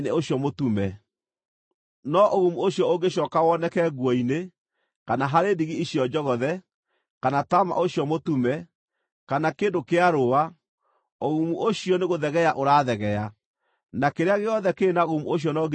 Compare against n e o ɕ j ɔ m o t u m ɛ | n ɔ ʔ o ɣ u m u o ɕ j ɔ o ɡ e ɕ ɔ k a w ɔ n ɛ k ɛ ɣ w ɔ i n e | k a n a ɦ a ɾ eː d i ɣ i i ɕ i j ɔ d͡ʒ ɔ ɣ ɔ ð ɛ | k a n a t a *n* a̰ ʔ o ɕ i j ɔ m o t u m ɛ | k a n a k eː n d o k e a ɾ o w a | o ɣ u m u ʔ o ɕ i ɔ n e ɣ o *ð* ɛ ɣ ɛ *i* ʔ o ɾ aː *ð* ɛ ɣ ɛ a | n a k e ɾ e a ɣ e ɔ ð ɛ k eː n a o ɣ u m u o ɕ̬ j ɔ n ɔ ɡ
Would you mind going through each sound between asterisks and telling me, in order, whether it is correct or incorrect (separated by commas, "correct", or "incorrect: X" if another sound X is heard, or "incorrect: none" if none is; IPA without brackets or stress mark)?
incorrect: m, correct, incorrect: a, correct